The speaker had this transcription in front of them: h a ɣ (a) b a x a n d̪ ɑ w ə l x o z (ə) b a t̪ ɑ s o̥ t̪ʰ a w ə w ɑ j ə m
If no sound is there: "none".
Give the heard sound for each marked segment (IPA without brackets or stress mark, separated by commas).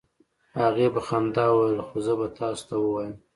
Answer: e, ə